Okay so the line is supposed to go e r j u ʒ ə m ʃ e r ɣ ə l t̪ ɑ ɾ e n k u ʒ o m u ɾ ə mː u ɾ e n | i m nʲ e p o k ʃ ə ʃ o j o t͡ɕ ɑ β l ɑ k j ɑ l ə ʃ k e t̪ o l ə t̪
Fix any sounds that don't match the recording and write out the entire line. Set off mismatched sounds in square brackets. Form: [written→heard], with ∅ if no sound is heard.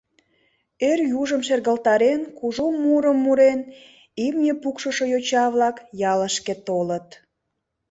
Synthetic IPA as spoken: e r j u ʒ ə m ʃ e r ɣ ə l t̪ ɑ ɾ e n k u ʒ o m u ɾ ə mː u ɾ e n | i m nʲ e p [o→u] k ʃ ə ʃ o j o t͡ɕ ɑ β l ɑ k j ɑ l ə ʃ k e t̪ o l ə t̪